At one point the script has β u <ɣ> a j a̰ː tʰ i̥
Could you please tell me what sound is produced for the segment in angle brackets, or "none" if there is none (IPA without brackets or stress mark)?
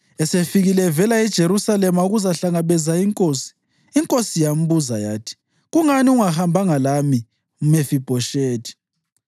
z